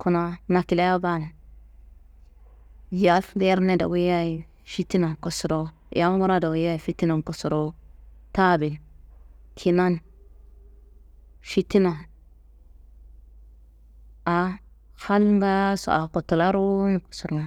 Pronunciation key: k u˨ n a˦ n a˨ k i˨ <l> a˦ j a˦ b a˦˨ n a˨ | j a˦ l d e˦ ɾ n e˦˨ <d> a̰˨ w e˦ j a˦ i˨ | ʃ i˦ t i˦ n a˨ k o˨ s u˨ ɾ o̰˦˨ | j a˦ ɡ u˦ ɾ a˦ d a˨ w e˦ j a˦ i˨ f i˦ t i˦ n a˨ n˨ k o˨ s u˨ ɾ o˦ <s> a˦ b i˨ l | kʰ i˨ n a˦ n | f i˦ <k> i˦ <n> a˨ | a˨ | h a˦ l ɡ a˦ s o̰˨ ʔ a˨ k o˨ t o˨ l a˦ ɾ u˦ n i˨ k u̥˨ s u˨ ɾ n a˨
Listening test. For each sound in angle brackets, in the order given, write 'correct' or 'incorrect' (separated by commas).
correct, correct, incorrect, incorrect, correct